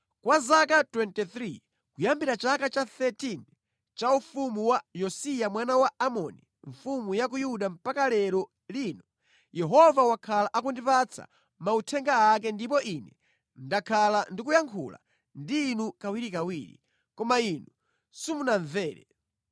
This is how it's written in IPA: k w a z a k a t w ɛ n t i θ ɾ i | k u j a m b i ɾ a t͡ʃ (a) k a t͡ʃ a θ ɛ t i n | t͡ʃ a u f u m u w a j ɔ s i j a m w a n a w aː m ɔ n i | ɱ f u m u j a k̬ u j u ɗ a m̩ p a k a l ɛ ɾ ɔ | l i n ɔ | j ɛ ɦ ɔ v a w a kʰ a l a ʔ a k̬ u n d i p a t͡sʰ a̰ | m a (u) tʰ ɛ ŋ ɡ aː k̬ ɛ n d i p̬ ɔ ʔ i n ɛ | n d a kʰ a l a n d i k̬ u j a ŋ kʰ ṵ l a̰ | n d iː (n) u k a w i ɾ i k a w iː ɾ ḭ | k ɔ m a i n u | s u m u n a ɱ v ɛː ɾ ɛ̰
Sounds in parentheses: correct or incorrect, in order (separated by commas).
correct, correct, correct